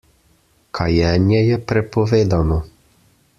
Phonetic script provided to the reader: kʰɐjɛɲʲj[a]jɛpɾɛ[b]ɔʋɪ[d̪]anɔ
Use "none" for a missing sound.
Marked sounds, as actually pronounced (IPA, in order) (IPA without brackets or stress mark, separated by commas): ɛ, p, d̪